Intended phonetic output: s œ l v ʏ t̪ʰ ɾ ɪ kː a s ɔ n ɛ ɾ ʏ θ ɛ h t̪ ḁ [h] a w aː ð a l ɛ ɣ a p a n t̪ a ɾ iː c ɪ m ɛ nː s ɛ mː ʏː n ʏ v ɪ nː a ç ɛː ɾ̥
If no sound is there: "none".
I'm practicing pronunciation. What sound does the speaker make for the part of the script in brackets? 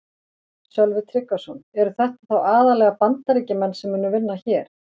θ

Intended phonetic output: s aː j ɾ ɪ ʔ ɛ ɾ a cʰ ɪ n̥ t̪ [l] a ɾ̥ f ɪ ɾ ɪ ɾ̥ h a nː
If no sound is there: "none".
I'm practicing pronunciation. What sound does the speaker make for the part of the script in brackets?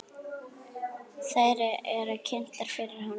l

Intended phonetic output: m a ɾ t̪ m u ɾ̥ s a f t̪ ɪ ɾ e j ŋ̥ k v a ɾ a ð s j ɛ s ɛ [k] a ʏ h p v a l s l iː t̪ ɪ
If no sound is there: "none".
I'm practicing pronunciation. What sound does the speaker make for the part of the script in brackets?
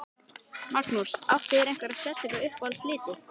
k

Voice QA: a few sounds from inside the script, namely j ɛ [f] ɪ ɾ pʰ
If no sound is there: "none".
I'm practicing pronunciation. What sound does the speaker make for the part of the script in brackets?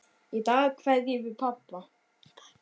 v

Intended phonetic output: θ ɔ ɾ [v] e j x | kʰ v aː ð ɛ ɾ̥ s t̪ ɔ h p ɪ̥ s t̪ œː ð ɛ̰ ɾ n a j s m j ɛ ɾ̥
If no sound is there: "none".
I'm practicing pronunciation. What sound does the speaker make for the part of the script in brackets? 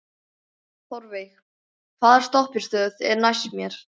v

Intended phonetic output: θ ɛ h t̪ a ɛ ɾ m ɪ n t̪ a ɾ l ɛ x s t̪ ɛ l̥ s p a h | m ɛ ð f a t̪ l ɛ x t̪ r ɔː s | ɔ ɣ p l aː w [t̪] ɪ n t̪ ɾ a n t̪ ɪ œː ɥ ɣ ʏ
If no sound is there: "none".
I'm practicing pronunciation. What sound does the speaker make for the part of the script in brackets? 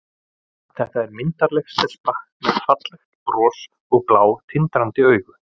t̪ʰ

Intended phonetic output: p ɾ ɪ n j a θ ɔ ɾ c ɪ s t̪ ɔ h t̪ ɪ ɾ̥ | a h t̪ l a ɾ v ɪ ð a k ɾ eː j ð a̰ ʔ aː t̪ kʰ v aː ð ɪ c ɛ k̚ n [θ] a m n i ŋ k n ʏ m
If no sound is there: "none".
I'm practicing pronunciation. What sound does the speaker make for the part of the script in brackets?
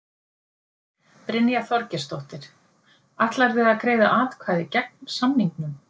s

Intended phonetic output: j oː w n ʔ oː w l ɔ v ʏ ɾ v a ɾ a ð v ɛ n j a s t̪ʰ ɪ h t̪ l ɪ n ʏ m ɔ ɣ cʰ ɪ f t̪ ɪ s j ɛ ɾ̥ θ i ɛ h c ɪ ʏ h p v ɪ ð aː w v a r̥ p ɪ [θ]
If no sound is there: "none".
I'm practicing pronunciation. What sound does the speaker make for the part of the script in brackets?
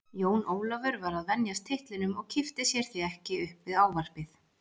θ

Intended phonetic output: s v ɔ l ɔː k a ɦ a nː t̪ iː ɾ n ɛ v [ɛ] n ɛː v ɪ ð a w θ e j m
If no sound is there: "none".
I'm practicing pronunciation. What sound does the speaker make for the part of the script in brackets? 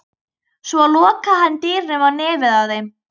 a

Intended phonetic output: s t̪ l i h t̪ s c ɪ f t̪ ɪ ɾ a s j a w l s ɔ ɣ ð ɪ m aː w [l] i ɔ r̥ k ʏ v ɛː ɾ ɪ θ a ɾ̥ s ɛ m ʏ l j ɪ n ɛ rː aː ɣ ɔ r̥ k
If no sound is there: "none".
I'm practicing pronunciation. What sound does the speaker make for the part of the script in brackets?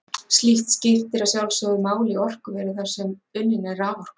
l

